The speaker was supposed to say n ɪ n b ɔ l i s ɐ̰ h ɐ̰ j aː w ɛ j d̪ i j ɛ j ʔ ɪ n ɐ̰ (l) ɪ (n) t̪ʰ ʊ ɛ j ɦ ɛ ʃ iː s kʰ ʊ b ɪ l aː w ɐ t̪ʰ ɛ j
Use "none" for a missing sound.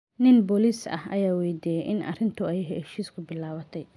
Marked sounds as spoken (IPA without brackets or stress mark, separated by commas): r, n